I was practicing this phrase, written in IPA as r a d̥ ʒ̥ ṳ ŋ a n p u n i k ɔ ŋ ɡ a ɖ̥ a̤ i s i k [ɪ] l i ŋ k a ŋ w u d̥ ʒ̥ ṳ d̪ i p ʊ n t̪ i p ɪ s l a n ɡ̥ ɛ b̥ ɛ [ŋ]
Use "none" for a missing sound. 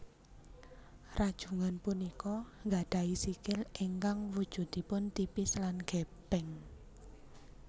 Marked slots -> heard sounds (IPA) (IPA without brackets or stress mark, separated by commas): ɪ, ŋ